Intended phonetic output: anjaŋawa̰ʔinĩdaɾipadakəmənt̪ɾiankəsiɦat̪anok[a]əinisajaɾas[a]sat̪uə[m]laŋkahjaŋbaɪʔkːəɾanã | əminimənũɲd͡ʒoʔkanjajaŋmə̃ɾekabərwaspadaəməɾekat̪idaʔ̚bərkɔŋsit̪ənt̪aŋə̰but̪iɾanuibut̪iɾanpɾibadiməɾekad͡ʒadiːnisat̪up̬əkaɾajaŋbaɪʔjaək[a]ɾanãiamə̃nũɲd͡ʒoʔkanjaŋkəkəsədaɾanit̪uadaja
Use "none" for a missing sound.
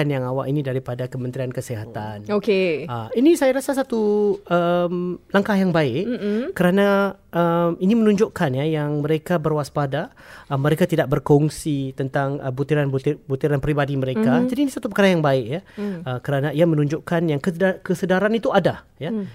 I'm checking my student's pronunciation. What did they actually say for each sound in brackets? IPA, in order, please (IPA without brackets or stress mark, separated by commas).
e, a, m, ə